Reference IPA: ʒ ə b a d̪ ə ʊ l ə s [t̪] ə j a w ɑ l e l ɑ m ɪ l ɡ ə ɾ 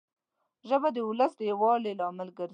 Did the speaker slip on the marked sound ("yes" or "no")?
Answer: yes